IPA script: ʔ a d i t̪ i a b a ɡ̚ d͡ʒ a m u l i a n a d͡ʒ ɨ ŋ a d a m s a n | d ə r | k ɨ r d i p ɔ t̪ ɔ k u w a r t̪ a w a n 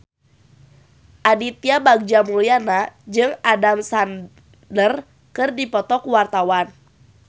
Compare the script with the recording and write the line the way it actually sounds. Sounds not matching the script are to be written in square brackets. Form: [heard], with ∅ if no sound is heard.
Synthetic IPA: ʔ a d i t̪ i a b a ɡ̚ d͡ʒ a m u l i a n a d͡ʒ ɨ ŋ a d a m s a n | d ə r | k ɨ r d i p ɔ t̪ ɔ k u w a r t̪ a w a n